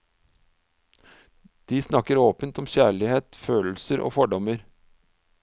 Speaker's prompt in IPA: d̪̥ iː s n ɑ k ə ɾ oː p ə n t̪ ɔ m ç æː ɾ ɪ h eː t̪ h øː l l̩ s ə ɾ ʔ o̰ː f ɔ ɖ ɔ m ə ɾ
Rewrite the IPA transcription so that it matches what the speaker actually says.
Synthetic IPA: d̪̥ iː s n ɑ k ə ɾ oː p ə n t̪ ɔ m ç æː ɭ ɪ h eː t̪ f øː l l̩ s ə ɾ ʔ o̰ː f ɔ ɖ ɔ m ə ɾ